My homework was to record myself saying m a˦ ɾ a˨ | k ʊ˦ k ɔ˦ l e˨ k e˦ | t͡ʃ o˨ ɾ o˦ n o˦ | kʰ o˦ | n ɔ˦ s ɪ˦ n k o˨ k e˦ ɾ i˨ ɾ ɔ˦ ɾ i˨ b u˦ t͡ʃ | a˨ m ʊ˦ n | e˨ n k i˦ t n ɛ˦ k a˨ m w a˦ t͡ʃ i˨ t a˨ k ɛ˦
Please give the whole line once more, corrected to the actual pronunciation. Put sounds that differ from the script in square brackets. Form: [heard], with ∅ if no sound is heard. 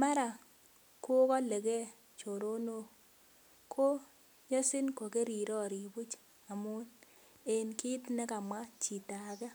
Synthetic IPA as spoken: m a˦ ɾ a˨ | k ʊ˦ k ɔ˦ l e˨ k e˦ | t͡ʃ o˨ ɾ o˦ n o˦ | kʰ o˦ | [ɲ] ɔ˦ s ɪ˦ n k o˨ k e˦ ɾ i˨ ɾ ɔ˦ ɾ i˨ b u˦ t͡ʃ | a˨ m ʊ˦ n | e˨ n k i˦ t n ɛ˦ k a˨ m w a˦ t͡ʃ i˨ t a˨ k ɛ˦